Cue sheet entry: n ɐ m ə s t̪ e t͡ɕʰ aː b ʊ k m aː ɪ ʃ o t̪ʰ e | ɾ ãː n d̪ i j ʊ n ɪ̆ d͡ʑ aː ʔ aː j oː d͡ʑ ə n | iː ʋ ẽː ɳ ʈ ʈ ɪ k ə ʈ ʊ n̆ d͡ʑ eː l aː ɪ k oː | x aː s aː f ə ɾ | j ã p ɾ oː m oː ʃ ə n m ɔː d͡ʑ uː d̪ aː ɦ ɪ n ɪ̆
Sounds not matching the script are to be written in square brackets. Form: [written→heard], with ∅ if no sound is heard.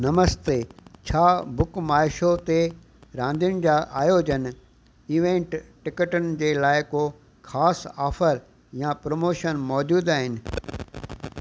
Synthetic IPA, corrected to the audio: n ɐ m ə s t̪ e t͡ɕʰ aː b ʊ k m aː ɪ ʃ o [t̪ʰ→t̪] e | ɾ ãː n d̪ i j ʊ n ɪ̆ d͡ʑ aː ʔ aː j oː d͡ʑ ə n | iː ʋ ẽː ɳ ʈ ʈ ɪ k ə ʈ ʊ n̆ d͡ʑ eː l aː ɪ k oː | x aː s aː f ə ɾ | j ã p ɾ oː m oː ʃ ə n m ɔː d͡ʑ uː d̪ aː ɦ ɪ n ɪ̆